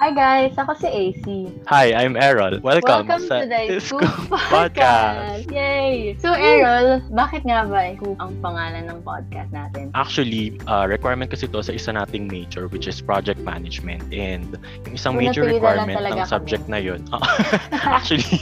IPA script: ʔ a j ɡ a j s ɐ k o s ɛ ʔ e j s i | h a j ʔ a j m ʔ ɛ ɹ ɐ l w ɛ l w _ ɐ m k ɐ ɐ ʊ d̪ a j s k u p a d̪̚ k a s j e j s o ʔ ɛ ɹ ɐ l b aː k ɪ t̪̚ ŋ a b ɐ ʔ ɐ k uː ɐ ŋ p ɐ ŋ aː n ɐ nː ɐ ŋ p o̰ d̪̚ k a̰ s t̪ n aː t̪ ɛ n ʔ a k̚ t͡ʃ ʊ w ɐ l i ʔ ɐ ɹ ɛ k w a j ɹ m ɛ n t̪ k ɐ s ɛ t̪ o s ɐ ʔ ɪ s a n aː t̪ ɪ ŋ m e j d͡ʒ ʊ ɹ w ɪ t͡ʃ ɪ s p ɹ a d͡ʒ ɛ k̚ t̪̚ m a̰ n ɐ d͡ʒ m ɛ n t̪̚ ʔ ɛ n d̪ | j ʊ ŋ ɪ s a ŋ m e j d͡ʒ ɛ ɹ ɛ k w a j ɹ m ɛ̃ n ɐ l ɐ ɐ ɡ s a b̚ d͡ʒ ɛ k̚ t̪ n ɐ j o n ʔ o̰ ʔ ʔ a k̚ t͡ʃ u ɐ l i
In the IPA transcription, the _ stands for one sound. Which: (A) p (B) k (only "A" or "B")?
B